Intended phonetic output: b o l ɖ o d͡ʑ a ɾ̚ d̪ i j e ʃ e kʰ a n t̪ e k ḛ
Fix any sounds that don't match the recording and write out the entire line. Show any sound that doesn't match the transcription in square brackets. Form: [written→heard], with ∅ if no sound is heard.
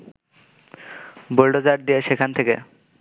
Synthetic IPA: b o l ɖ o d͡ʑ a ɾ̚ d̪ i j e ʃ e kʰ a n [t̪→t̪ʰ] e k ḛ